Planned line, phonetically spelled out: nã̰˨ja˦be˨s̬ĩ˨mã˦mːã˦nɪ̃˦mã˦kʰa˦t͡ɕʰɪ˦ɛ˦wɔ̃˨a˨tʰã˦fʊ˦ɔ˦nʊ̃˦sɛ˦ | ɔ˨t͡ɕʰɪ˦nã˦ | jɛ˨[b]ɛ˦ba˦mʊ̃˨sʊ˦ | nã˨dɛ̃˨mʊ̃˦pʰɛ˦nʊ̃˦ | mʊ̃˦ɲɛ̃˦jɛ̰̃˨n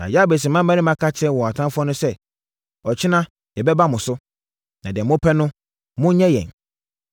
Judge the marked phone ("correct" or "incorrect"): correct